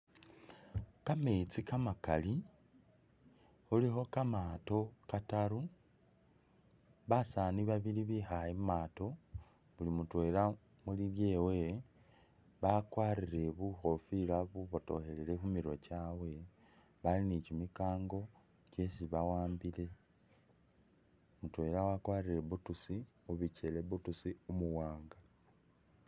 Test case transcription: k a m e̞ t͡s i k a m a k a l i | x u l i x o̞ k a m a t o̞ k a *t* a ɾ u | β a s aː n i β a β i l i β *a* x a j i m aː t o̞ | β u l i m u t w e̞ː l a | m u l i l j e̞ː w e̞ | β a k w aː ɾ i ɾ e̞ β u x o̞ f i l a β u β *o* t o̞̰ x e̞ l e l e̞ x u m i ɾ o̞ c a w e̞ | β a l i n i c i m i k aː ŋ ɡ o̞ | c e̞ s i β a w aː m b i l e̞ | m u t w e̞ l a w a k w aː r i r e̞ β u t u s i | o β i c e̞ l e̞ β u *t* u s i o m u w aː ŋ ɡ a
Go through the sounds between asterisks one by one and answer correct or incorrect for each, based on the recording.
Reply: correct, incorrect: i, correct, correct

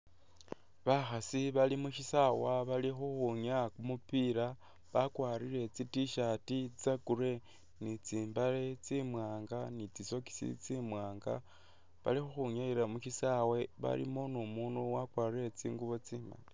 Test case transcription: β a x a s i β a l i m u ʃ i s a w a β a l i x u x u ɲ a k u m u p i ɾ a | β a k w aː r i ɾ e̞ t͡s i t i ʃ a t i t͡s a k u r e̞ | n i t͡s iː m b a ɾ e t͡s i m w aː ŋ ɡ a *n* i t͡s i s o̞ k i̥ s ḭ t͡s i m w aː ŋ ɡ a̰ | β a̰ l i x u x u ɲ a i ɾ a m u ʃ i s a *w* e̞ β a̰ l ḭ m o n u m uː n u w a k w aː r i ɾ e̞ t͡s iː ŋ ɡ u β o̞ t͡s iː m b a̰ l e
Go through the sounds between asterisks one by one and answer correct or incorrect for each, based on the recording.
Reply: correct, correct

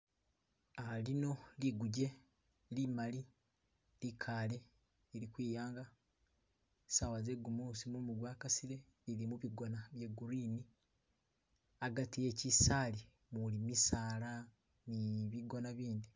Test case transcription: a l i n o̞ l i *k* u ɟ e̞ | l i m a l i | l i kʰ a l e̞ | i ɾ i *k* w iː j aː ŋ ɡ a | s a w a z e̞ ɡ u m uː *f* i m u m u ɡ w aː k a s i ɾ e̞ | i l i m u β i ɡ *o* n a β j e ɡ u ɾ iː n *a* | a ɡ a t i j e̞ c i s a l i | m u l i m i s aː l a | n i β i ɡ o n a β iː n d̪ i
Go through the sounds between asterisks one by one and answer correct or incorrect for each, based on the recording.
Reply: incorrect: ɡ, correct, incorrect: s, correct, incorrect: i

